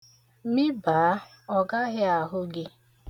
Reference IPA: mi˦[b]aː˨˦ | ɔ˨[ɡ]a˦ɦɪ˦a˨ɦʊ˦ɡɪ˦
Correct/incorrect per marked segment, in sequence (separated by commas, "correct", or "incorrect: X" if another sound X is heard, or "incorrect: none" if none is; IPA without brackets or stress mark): correct, correct